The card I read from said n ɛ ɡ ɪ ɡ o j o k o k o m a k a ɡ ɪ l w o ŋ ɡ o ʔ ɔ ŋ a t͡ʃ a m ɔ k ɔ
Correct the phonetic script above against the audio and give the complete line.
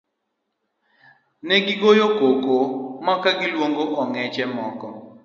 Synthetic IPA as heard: n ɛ ɡ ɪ ɡ o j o k o k o m a k a ɡ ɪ l w o ŋ ɡ o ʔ ɔ ŋ ɛ t͡ʃ ɛ m ɔ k ɔ